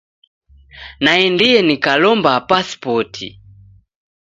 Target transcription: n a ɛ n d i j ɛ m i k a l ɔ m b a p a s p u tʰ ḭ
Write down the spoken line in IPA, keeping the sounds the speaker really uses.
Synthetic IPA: n a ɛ n d i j ɛ n i k a l ɔ m b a p a s p ɔ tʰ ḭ